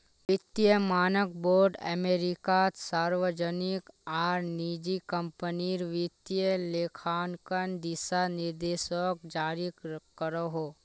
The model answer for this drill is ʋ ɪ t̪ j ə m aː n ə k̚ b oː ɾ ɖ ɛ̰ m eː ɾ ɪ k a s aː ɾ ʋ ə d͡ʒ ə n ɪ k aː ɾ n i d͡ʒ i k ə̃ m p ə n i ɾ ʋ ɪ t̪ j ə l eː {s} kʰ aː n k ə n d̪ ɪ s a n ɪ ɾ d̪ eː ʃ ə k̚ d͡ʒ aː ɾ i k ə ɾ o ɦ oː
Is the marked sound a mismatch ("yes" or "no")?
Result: yes